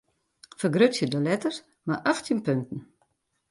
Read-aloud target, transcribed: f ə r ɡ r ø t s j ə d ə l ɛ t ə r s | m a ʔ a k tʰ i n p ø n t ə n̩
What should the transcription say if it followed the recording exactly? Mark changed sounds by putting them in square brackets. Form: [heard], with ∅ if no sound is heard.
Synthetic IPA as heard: f ə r ɡ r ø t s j ə d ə l ɛ t ə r s | m a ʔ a [x] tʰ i n p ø n t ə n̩